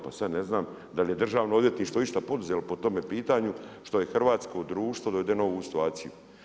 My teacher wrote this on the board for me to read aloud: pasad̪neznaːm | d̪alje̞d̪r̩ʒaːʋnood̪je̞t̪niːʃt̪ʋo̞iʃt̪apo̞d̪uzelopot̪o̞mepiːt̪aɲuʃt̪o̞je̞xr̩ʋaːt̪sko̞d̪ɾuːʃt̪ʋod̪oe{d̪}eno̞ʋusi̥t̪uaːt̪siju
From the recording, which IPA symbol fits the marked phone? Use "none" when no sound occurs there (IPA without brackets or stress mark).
d̪